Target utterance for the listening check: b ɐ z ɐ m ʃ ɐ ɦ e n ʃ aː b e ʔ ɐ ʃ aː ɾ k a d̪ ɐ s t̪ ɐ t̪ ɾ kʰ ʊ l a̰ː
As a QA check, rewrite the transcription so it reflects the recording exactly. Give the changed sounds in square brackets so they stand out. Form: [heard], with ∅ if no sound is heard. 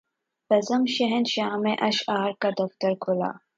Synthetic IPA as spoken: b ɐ z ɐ m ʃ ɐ ɦ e n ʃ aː [m] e ʔ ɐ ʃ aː ɾ k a d̪ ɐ [f] t̪ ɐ [∅] ɾ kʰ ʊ l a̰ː

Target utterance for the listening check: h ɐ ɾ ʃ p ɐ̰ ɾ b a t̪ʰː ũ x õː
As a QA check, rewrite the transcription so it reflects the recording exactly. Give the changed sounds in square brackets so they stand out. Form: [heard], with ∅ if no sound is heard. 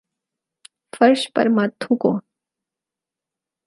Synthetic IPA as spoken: [f] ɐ ɾ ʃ p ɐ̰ ɾ [m] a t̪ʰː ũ [k] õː

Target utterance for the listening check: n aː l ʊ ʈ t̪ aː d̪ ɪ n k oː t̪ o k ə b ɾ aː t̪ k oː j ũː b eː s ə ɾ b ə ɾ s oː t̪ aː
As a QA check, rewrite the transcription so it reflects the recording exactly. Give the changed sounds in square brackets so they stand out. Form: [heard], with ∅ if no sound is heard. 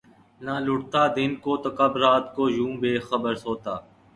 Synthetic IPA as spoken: n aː l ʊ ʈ t̪ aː d̪ ɪ n k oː t̪ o k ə b ɾ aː t̪ k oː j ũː b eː [x] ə [∅] b ə ɾ s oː t̪ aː

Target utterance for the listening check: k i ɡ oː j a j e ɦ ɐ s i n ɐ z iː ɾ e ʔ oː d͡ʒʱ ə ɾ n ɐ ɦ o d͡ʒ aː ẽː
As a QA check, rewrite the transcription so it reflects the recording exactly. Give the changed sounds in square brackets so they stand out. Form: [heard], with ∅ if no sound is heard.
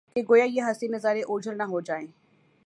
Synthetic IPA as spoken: k [e] ɡ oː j a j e ɦ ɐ s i n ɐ z [aː] ɾ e ʔ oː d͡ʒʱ ə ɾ n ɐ ɦ o d͡ʒ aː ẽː

